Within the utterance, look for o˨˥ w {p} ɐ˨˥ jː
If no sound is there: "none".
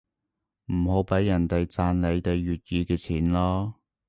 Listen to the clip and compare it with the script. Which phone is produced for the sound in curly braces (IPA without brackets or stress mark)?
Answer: p